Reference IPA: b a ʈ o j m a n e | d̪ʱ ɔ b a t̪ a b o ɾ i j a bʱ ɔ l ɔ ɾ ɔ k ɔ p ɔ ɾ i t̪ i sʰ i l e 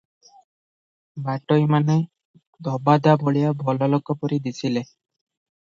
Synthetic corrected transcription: b a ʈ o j m a n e | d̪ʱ ɔ b a d̪ a b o ɭ i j a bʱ ɔ l ɔ l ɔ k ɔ p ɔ ɾ i d̪ i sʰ i l e